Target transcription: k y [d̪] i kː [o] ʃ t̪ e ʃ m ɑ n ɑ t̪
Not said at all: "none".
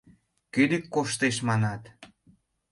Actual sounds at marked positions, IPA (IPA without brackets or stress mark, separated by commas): d̪, o